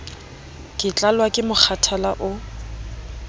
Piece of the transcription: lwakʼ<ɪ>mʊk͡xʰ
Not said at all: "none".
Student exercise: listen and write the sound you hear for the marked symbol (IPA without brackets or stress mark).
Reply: ɪ